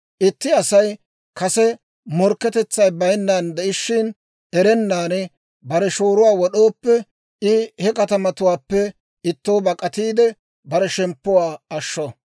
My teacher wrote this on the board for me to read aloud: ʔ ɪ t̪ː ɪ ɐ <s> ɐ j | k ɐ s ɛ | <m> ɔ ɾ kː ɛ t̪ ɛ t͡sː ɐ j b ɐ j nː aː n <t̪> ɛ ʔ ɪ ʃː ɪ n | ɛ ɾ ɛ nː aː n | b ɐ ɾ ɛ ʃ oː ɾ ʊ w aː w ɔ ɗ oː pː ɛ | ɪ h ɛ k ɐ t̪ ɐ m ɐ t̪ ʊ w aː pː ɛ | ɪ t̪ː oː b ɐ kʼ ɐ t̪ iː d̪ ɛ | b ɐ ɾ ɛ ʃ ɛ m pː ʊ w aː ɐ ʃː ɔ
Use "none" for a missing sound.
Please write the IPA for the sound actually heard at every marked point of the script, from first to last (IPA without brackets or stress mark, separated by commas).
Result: s, m, d̪